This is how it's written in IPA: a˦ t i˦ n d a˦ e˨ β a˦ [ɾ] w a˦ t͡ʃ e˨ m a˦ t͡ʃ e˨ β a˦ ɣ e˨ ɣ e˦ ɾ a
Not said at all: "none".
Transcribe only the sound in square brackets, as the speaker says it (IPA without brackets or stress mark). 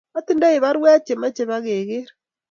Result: ɾ